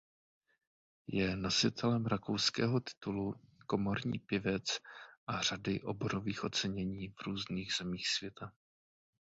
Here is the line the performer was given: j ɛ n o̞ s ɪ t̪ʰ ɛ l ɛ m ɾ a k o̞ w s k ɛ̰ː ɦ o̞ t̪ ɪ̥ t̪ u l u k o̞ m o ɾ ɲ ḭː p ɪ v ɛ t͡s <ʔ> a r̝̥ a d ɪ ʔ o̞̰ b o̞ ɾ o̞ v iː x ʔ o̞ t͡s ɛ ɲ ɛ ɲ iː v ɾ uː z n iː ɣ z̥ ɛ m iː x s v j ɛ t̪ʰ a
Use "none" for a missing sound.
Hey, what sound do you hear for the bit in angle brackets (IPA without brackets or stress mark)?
ʔ